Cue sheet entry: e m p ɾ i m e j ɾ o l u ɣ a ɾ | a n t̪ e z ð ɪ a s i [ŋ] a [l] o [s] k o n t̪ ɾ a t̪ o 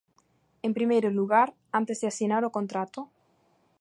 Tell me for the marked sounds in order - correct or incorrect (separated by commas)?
incorrect, incorrect, incorrect